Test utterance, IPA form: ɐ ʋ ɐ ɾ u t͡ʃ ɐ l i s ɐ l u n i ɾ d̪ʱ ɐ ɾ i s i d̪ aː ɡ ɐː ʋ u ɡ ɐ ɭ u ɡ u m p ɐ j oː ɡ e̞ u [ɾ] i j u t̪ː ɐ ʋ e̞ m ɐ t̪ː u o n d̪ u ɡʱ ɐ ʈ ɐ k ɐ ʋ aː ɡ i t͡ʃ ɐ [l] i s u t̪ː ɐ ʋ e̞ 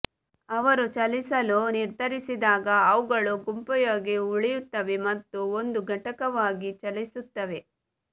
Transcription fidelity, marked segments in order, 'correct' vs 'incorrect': incorrect, correct

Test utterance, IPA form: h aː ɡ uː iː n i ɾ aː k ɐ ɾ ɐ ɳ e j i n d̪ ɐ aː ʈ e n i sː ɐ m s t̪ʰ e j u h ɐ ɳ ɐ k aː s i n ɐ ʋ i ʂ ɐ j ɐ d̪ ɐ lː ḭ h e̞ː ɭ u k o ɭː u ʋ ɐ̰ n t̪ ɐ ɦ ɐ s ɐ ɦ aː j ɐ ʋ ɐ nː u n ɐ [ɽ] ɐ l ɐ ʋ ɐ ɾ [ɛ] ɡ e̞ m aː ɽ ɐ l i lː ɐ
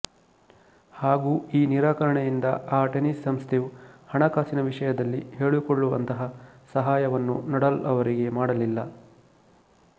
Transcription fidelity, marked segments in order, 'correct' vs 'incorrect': correct, incorrect

